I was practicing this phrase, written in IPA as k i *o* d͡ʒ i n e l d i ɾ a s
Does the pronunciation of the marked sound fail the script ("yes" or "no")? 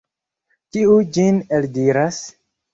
yes